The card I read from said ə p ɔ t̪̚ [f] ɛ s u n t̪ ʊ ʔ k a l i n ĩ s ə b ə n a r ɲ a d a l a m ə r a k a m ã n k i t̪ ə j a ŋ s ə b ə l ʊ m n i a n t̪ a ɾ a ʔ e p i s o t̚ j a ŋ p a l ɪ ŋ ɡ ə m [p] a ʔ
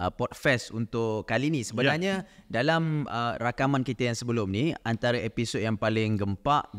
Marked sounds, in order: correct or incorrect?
correct, correct

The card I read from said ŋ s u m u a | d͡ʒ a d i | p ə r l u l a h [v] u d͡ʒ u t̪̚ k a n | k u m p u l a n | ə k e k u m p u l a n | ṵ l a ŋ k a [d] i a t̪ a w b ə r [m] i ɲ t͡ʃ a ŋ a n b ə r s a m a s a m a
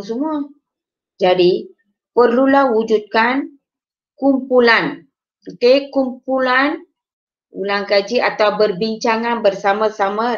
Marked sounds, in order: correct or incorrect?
incorrect: w, incorrect: d͡ʒ, incorrect: b

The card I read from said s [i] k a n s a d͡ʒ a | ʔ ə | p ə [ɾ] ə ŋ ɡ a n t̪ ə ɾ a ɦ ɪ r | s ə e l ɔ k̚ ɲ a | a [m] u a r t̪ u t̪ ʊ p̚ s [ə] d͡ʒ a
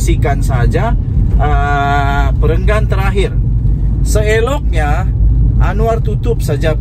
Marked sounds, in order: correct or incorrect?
correct, correct, incorrect: n, incorrect: a

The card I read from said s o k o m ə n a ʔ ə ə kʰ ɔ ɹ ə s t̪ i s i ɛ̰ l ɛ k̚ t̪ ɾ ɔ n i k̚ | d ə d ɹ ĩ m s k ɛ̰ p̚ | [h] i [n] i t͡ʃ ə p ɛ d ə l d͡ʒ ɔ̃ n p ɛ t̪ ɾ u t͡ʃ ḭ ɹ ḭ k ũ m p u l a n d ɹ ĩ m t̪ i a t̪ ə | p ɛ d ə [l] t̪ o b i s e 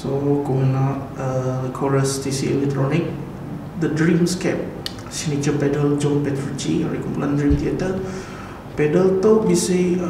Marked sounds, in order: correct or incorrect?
incorrect: s, correct, correct

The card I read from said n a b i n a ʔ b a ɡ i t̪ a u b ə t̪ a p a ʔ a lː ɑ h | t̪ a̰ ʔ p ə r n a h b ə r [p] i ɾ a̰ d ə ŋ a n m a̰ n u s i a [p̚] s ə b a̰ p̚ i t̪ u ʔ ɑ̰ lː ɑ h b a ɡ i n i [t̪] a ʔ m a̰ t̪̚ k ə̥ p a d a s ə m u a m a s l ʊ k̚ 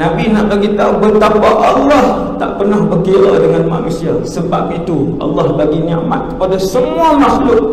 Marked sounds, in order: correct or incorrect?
incorrect: k, incorrect: none, incorrect: none

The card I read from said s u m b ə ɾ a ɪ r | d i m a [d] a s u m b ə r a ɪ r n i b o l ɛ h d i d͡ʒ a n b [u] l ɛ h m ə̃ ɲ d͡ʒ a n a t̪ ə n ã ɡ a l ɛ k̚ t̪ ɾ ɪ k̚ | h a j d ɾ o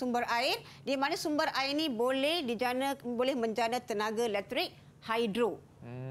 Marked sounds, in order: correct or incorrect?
incorrect: n, incorrect: o

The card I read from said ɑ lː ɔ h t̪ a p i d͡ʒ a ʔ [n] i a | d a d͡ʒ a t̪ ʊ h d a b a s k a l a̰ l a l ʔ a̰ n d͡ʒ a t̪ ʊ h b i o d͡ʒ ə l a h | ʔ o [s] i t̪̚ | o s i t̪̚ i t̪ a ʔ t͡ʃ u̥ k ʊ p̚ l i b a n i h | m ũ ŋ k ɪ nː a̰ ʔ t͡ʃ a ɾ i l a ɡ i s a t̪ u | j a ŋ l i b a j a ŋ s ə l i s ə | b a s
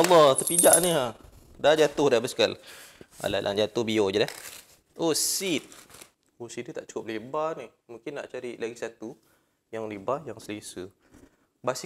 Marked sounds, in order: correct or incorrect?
correct, correct

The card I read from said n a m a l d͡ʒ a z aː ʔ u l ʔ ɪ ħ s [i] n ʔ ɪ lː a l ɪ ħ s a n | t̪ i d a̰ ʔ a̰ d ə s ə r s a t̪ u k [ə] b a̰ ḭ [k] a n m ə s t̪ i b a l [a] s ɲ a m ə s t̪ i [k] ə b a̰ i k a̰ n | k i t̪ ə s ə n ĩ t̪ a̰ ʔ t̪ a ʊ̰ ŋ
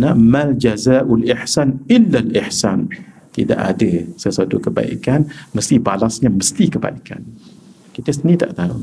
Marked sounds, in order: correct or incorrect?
incorrect: a, correct, correct, correct, correct

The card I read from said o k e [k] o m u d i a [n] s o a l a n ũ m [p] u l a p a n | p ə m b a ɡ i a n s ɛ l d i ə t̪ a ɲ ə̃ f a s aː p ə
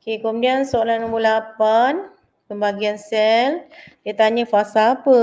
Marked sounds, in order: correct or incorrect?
correct, correct, incorrect: b

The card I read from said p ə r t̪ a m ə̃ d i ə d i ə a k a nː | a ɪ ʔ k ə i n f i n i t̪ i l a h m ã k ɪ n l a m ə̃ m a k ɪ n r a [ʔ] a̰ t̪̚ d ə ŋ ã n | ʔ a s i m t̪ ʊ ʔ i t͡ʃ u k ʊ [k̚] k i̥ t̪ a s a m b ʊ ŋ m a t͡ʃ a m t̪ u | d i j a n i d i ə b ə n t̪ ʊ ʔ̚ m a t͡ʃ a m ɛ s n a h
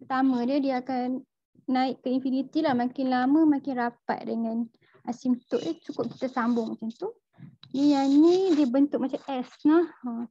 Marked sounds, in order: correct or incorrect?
incorrect: p, incorrect: p̚

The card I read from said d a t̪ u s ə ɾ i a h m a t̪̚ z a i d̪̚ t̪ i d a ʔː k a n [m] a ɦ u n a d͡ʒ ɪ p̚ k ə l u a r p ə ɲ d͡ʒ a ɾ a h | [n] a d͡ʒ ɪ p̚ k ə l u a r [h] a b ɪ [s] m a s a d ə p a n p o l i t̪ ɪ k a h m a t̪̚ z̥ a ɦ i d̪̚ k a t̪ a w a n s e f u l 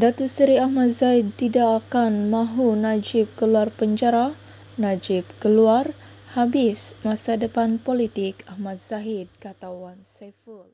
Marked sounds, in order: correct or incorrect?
correct, correct, correct, correct

